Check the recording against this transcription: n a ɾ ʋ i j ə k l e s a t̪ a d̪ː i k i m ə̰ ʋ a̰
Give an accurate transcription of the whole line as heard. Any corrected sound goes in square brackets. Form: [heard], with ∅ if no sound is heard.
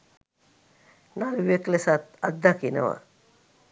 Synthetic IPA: n a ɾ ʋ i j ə k l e s a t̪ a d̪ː [a] k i [n] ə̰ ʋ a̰